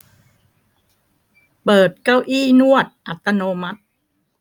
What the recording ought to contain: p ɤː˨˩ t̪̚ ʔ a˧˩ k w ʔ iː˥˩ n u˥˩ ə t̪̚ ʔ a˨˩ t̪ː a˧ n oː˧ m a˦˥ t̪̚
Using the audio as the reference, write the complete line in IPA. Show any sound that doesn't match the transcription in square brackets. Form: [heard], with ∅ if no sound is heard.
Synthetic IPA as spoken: p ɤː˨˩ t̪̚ [k] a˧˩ [∅] w ʔ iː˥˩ n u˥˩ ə t̪̚ ʔ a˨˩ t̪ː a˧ n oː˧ m a˦˥ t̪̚